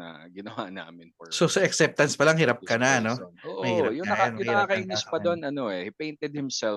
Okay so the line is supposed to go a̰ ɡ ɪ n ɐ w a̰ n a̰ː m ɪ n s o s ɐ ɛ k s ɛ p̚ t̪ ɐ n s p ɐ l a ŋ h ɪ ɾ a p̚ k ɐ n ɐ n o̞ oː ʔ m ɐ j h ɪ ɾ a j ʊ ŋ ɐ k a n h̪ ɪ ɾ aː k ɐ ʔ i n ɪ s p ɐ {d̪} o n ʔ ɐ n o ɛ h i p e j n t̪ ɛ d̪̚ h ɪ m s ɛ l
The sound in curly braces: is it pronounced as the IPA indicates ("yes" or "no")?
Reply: yes